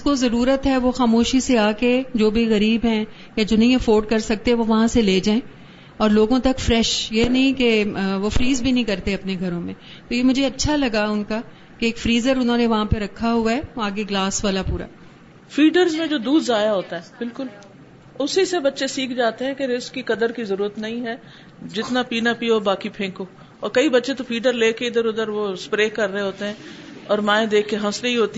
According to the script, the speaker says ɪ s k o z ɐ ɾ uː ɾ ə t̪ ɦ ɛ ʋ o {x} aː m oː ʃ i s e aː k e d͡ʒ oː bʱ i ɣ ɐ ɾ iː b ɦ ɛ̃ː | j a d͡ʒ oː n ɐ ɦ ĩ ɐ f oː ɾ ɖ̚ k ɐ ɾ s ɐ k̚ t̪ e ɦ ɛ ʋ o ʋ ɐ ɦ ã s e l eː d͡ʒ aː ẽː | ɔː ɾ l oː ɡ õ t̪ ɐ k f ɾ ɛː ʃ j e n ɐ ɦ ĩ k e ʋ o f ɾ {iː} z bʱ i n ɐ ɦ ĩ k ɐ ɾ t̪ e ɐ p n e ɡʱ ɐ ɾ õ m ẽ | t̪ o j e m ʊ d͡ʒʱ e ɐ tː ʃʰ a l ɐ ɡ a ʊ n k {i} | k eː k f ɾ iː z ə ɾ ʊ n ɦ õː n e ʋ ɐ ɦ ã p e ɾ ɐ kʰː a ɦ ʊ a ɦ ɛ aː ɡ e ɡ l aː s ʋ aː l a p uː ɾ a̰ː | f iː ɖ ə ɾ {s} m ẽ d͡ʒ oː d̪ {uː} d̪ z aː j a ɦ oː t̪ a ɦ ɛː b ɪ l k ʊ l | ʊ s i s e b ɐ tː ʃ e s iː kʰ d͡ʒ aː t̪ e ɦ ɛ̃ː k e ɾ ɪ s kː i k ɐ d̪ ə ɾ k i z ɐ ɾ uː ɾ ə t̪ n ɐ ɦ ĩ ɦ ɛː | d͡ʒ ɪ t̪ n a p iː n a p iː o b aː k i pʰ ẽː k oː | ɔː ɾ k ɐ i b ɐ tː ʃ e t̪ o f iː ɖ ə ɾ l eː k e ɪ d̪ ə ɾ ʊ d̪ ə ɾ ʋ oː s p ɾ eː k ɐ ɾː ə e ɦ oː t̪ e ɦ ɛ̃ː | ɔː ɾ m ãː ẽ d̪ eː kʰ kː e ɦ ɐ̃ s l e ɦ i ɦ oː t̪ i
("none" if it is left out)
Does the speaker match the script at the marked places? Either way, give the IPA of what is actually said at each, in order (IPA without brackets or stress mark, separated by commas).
x, iː, a, z, uː